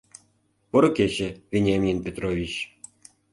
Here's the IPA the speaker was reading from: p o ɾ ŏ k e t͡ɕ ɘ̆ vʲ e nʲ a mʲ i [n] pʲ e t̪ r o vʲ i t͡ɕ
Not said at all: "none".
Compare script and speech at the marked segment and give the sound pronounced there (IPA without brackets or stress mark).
n